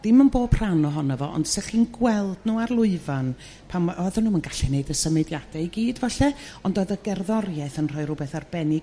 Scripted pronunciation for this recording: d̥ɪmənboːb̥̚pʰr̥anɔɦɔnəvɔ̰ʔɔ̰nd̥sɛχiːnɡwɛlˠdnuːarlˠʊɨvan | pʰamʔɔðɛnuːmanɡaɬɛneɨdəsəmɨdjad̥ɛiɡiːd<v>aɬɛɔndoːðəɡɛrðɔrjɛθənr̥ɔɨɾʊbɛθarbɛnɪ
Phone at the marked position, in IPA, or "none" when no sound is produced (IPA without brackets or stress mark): v